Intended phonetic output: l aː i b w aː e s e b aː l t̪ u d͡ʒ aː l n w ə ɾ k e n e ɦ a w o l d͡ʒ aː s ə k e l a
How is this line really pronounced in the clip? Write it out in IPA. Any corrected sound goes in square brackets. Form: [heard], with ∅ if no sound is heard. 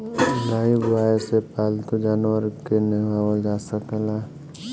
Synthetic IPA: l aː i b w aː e s e [p] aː l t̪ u d͡ʒ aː [∅] n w ə ɾ k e n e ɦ a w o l d͡ʒ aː s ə k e l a